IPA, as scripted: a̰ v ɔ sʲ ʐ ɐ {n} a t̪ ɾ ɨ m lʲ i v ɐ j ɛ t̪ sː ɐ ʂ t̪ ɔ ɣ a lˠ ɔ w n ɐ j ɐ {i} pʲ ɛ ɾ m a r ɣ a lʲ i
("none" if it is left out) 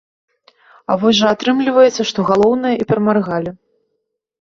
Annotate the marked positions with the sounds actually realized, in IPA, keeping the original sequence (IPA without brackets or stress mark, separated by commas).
none, i